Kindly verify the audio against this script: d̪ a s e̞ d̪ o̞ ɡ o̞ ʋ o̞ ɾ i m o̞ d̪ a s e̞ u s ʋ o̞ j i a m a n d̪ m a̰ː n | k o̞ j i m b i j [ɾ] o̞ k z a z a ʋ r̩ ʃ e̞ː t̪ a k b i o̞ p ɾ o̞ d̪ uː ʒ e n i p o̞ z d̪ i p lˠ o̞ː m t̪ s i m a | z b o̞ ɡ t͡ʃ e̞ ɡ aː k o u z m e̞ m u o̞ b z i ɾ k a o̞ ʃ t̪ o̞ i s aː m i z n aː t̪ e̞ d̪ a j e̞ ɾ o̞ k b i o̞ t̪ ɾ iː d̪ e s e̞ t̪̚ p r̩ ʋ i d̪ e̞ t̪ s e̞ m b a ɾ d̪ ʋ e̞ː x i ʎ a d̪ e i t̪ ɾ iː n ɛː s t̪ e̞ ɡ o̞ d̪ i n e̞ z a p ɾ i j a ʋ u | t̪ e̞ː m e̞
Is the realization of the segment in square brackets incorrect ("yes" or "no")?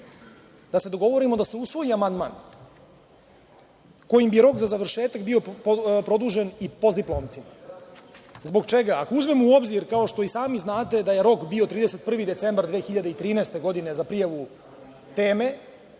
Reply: no